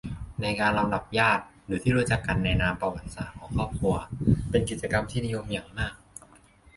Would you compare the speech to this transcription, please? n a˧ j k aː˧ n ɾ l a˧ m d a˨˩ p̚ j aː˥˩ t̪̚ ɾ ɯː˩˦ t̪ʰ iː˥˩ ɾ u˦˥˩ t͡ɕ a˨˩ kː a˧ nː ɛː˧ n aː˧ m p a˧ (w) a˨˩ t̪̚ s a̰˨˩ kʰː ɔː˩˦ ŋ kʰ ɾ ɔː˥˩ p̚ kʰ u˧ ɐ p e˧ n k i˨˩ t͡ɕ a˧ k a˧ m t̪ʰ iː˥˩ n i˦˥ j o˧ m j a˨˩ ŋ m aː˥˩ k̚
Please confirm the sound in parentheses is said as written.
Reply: yes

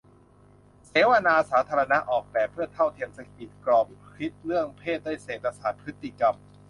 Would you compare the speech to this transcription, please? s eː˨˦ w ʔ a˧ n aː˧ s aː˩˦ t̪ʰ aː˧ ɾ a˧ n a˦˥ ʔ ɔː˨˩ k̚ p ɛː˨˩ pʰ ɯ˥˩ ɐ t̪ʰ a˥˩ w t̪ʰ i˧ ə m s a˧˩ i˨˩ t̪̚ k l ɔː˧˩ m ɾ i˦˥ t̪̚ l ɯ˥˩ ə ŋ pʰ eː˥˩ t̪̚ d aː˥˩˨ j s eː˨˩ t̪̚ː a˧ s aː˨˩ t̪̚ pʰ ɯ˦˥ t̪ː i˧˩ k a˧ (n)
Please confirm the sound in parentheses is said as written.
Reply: no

